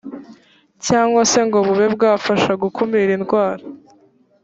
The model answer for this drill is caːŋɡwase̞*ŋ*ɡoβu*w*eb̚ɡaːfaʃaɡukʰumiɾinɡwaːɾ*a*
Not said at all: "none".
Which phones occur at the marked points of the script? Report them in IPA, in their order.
ŋ, β, a

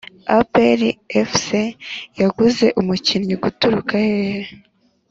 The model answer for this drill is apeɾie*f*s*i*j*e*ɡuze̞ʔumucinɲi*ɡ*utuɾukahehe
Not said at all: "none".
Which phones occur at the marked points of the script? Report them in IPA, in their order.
f, e, a, ɡ

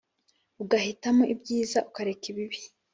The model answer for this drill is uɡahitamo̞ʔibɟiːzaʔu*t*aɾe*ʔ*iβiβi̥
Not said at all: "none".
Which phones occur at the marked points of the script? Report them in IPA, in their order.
k, k

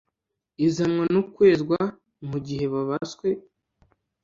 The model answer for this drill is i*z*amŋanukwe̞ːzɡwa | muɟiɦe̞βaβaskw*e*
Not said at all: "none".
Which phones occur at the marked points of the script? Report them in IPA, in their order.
z, e

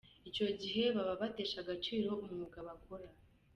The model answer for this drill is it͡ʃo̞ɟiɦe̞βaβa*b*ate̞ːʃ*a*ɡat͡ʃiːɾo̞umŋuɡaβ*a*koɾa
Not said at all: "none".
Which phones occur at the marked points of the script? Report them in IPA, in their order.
β, a, a

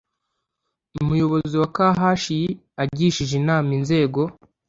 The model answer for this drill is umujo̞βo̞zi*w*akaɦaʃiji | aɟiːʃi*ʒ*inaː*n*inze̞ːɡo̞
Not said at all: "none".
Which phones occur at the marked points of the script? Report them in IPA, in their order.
w, ʒ, m

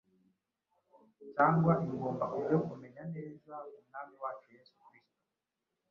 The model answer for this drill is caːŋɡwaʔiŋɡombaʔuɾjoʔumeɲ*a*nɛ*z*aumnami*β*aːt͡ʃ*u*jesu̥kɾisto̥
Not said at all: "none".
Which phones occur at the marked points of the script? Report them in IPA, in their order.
a, z, w, u

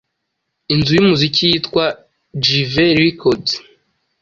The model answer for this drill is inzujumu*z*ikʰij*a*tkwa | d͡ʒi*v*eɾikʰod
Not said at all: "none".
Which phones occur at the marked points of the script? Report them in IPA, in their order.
z, i, v

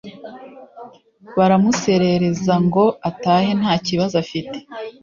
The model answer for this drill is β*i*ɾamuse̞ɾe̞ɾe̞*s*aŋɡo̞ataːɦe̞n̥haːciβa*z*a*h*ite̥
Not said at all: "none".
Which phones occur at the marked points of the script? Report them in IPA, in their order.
a, z, z, f

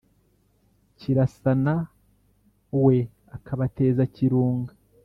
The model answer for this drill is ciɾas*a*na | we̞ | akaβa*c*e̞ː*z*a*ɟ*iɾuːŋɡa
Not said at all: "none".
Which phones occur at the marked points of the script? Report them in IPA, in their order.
a, t, z, c

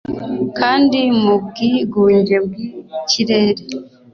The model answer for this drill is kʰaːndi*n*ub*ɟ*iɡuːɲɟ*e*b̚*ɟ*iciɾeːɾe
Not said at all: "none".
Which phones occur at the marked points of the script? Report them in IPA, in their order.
m, ɡ, e, ɡ

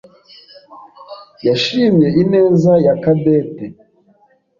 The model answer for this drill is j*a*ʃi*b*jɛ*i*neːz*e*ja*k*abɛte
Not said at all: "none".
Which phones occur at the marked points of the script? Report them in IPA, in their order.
a, m, i, a, k

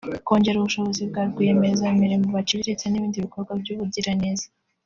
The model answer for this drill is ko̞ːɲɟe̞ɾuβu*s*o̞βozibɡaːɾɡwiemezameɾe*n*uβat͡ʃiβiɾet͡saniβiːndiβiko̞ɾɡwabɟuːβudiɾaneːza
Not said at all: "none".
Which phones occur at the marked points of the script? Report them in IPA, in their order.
ʃ, m

